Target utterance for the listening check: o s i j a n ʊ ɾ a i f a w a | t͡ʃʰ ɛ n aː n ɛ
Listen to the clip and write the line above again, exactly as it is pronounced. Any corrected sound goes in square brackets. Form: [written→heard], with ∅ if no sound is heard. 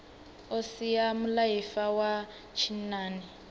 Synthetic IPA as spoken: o s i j a [n→m] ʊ [ɾ→l] a i f a w a | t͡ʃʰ [ɛ→i] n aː n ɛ